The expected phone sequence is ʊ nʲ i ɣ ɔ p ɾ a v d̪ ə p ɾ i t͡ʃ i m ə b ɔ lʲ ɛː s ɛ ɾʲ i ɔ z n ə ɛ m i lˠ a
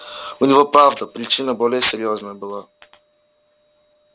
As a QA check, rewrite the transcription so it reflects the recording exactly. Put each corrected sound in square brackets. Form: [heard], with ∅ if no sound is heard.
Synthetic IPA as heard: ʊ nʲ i [v] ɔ p ɾ a v d̪ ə p ɾ i t͡ʃ i [n] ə b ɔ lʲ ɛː s ɛ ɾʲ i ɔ z n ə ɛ [b] i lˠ a